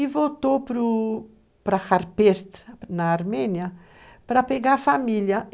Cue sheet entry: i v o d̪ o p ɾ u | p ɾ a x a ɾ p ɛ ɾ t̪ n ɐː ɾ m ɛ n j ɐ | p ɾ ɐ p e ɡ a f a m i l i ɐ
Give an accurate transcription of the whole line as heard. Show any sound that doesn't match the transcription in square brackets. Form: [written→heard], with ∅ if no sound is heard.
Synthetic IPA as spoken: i v o [d̪→t̪] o p ɾ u | p ɾ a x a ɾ p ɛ ɾ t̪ n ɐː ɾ m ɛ n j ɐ | p ɾ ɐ p e ɡ a f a m i l [i→j] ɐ